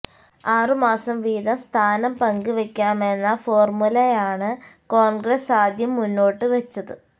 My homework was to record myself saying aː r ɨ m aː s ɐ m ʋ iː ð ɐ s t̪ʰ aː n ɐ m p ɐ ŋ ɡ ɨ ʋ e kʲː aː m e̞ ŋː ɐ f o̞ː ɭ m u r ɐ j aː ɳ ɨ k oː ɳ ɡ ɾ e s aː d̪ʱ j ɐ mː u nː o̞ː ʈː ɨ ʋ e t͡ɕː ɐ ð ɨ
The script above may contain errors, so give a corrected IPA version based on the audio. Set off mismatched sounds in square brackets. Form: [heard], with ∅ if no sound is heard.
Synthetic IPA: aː r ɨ m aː s ɐ m ʋ iː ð ɐ s t̪ʰ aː n ɐ m p ɐ ŋ ɡ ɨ ʋ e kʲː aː m e̞ [nː] ɐ f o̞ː [r] m u [l] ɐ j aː ɳ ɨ k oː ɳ ɡ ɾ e s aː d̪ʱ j ɐ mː u nː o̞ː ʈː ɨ ʋ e t͡ɕː ɐ ð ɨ